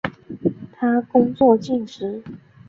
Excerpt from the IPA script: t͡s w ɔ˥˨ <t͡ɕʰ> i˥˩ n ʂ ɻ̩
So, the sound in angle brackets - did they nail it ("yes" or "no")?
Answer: no